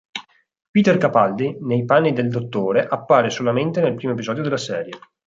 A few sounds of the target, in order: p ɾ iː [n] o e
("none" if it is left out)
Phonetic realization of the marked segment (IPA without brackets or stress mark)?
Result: m